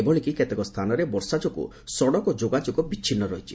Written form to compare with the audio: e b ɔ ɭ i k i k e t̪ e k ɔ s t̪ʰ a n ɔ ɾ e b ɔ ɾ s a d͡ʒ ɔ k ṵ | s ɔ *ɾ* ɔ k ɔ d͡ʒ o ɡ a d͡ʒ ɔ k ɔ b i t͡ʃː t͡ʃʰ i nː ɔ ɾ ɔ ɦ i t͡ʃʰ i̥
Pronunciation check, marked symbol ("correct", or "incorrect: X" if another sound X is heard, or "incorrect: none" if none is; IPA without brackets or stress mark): incorrect: ɽ